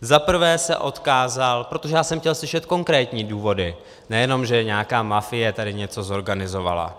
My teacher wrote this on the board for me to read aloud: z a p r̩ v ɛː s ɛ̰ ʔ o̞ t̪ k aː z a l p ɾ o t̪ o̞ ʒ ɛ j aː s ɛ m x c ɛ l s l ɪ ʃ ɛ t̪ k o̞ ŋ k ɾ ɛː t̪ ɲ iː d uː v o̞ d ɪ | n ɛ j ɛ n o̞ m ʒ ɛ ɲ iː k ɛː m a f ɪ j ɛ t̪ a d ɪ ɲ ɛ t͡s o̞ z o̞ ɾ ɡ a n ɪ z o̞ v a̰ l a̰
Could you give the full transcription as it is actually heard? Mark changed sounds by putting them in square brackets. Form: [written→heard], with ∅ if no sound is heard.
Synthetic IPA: z a p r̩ v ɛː s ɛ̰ ʔ o̞ t̪ k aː z a l p ɾ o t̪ o̞ ʒ ɛ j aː s ɛ m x c ɛ l s l ɪ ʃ ɛ t̪ k o̞ ŋ k ɾ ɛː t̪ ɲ iː d uː v o̞ d ɪ | n ɛ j ɛ n o̞ m ʒ ɛ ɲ [iː→aː] k [ɛː→aː] m a f ɪ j ɛ t̪ a d ɪ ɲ ɛ t͡s o̞ z o̞ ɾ ɡ a n ɪ z o̞ v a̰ l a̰